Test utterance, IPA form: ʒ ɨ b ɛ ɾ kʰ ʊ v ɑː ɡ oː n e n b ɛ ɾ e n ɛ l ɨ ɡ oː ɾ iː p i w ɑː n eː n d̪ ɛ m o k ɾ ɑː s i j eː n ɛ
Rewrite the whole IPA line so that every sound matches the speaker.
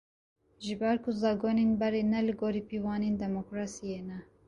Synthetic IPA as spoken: ʒ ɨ b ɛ ɾ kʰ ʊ z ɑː ɡ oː n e n b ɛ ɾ e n ɛ l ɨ ɡ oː ɾ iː p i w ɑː n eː n d̪ ɛ m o k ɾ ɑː s i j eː n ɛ